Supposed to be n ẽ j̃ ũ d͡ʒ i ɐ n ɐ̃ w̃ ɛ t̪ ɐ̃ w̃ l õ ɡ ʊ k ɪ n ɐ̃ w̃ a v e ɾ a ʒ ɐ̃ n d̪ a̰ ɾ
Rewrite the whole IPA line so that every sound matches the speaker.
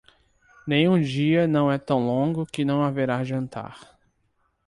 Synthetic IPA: n ẽ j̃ ũ d͡ʒ i ɐ n ɐ̃ w̃ ɛ t̪ ɐ̃ w̃ l õ ɡ ʊ k ɪ n ɐ̃ w̃ a v e ɾ a ʒ ɐ̃ n t̪ a̰ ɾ